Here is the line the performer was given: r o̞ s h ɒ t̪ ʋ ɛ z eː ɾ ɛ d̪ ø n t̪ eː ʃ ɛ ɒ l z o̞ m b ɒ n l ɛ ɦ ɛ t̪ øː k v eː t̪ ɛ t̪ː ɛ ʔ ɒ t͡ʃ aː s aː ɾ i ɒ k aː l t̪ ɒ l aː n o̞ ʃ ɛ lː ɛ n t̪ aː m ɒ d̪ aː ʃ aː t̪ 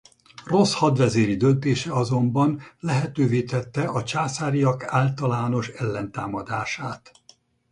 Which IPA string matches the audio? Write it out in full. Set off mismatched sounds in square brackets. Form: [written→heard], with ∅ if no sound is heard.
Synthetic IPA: r o̞ s h ɒ [t̪→d̪] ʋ ɛ z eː ɾ [ɛ→i] d̪ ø n t̪ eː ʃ ɛ ɒ [l→∅] z o̞ m b ɒ n l ɛ ɦ ɛ t̪ øː [k→∅] v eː t̪ ɛ t̪ː ɛ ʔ ɒ t͡ʃ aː s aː ɾ i ɒ k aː l t̪ ɒ l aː n o̞ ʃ ɛ lː ɛ n t̪ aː m ɒ d̪ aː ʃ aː t̪